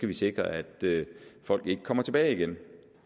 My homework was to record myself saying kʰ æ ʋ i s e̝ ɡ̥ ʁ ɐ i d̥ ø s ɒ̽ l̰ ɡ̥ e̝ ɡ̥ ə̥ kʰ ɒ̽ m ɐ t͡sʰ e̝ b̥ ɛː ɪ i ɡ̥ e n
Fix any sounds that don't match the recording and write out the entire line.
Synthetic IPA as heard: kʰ æ ʋ i s e̝ ɡ̥ ʁ ɐ æ d̥ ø f ɒ̽ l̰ ɡ̥ e̝ ɡ̥ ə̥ kʰ ɒ̽ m ɐ t͡sʰ e̝ b̥ ɛː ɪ i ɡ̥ e n